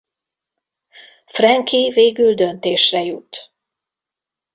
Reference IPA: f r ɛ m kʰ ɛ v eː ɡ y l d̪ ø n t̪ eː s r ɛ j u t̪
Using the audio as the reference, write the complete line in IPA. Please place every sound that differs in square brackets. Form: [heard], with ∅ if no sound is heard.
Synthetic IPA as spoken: f r ɛ [ŋ] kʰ [i] v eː ɡ y l d̪ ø n t̪ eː [ʃ] r ɛ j u t̪